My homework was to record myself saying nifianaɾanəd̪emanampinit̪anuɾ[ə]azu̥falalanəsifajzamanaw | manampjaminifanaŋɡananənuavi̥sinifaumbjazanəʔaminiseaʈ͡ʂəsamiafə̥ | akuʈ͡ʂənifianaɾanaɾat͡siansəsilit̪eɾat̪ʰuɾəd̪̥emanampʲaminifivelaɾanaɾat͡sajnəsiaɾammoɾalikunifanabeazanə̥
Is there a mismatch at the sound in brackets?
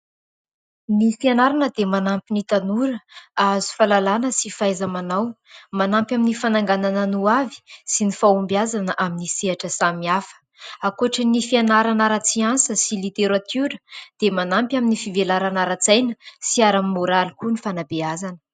no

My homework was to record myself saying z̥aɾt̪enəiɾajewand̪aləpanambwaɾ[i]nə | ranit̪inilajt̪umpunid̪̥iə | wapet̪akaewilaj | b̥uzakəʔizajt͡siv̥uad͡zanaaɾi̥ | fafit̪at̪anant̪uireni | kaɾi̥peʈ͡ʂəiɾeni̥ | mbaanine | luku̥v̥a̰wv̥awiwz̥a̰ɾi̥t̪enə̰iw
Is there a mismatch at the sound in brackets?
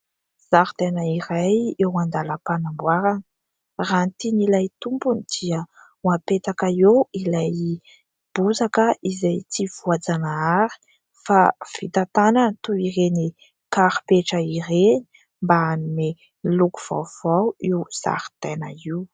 yes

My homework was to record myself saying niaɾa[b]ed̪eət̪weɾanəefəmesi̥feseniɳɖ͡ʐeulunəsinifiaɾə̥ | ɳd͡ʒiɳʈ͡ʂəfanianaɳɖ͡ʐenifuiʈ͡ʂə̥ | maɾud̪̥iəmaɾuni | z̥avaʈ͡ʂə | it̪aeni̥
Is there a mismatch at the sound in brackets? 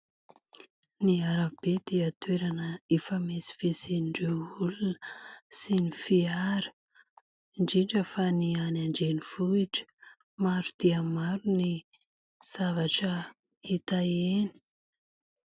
no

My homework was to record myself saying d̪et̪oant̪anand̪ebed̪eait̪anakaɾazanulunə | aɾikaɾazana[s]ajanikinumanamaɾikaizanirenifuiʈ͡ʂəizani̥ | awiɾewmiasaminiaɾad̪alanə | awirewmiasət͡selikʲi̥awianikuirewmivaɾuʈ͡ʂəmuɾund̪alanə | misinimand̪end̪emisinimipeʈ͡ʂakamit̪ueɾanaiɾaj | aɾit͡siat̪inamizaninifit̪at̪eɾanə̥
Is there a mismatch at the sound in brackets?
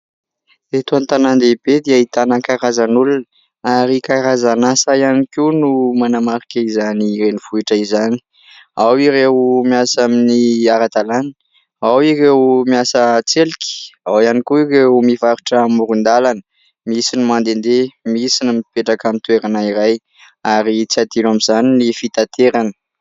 no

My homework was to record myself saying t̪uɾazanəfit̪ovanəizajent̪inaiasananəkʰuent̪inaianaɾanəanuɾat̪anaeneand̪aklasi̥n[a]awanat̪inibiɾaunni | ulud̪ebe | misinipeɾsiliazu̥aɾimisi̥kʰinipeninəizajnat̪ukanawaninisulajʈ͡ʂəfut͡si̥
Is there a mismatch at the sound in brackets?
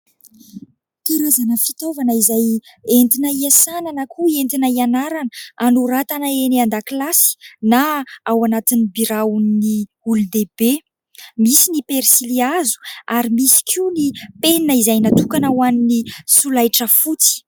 no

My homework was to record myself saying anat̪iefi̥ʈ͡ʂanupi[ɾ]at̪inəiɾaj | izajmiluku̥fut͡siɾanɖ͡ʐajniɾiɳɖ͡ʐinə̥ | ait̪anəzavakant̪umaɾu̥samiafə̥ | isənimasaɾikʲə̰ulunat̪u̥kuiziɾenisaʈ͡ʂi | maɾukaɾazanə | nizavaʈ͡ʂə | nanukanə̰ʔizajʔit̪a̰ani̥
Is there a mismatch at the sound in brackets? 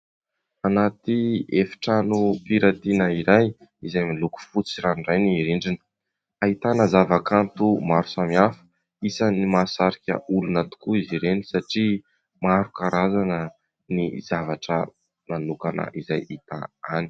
no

